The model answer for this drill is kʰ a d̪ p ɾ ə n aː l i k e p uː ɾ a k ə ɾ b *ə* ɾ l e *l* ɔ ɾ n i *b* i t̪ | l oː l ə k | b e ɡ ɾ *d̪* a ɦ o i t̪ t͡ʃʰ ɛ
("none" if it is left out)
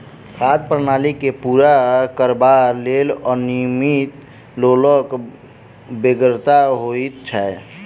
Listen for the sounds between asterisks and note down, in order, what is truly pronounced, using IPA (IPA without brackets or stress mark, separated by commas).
a, l, m, t̪